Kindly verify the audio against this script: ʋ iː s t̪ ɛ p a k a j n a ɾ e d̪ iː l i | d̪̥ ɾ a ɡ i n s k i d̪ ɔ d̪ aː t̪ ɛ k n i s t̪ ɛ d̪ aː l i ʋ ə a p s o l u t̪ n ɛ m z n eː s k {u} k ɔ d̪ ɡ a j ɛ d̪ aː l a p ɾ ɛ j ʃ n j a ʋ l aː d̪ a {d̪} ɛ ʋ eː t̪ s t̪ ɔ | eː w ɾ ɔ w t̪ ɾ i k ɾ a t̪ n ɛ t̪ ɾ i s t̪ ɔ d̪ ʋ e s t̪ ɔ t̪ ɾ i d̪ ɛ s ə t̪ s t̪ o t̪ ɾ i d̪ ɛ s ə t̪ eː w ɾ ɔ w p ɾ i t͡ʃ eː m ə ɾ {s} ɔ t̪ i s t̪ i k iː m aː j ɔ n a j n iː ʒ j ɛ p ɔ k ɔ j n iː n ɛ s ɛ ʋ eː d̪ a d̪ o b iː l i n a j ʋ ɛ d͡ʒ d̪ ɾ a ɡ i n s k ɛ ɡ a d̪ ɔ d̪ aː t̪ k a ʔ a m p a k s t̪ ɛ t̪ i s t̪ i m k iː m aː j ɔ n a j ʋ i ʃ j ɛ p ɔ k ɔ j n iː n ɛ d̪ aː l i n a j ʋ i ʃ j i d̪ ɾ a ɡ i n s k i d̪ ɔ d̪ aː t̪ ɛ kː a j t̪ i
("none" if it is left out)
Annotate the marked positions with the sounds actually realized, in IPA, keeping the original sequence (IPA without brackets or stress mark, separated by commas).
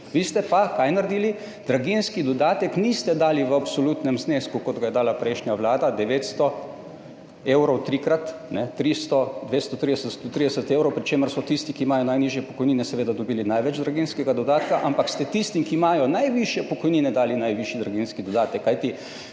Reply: u, d̪, s